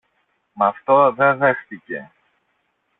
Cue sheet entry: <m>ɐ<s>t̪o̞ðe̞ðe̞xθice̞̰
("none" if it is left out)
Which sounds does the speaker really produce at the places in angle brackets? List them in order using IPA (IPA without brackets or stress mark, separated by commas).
m, f